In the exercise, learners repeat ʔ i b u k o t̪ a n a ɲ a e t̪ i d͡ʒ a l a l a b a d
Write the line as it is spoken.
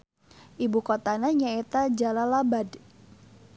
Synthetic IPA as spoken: ʔ i b u k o t̪ a n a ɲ a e t̪ a d͡ʒ a l a l a b a d